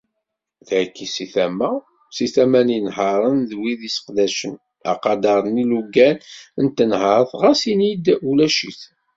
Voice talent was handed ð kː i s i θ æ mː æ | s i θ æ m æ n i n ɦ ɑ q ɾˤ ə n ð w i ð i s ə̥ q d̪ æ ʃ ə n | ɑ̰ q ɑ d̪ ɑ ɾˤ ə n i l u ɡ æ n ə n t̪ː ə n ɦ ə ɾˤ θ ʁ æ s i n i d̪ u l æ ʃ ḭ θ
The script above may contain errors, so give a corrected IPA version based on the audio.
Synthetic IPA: ð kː i s i θ æ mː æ | s i θ æ m æ n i n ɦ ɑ ɾˤ ə n ð w i ð i s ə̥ q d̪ æ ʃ ə n | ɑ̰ q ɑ d̪ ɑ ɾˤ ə n i l u ɡ æ n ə n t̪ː ə n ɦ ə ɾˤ θ ʁ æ s i n i d̪ u l æ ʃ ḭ θ